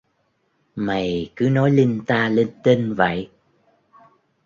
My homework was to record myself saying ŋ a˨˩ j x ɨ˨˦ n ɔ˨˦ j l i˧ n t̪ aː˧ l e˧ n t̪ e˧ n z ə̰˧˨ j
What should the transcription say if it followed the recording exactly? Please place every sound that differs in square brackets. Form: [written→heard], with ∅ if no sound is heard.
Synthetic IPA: [ŋ→m] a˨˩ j [x→k] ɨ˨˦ n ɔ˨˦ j l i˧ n t̪ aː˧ l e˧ n t̪ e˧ n [z→v] ə̰˧˨ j